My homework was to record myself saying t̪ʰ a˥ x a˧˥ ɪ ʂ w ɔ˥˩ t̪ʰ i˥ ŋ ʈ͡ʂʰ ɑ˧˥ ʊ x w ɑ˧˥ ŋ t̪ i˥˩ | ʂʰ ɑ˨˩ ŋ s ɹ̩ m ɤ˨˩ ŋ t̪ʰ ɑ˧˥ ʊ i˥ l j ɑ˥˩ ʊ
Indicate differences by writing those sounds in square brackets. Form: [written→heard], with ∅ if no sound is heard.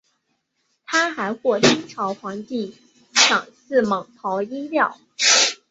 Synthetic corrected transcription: t̪ʰ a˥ x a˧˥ ɪ [ʂ→x] w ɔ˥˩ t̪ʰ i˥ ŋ ʈ͡ʂʰ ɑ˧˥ ʊ x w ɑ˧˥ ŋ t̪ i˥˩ | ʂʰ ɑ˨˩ ŋ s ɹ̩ m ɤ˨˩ ŋ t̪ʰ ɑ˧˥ ʊ i˥ l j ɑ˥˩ ʊ